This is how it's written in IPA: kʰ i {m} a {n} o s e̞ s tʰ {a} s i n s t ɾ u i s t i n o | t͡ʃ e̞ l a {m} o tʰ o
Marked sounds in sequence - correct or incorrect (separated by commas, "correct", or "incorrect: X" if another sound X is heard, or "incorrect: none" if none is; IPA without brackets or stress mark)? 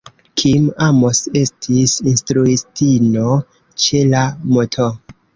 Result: correct, incorrect: m, incorrect: i, correct